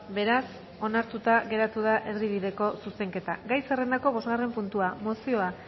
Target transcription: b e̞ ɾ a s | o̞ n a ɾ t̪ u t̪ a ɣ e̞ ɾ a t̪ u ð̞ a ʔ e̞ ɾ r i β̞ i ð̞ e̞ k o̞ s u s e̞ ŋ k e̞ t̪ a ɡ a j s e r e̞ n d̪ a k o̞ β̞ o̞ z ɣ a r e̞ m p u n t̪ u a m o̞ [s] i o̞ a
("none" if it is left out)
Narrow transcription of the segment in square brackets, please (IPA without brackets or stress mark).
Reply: s